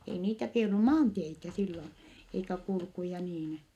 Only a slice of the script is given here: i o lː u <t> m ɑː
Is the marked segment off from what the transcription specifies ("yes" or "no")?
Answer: yes